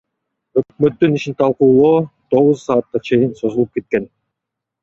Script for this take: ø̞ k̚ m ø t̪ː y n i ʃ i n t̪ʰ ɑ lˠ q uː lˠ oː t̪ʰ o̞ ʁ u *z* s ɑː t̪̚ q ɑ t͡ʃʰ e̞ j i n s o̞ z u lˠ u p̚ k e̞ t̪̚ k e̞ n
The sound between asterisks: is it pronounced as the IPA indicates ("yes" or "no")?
yes